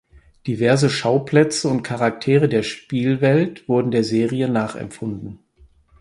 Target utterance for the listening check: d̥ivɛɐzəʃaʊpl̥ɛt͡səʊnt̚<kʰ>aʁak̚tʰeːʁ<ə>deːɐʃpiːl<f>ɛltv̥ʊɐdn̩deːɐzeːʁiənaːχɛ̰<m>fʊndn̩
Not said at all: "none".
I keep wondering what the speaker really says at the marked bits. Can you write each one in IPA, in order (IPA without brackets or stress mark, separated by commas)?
kʰ, ə, v, m